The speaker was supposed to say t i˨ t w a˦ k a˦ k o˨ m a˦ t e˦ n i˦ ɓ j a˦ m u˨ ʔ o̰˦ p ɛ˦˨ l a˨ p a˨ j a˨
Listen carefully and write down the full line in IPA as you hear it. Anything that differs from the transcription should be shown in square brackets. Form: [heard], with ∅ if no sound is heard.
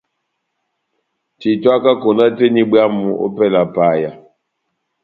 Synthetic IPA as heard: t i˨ t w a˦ k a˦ k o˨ [n] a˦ t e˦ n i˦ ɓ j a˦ m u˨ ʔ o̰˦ p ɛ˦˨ l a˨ p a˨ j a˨